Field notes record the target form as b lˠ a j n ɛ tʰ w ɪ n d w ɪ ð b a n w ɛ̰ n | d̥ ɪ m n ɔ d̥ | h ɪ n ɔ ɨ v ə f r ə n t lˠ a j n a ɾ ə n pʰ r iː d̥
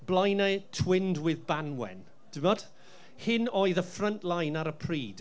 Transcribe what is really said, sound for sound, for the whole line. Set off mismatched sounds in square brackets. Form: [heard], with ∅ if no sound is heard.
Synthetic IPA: b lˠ a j n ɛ tʰ w ɪ n d w ɪ ð b a n w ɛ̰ n | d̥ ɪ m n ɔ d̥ | h ɪ n ɔ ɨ [ð] ə f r ə n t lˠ a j n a ɾ ə [∅] pʰ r iː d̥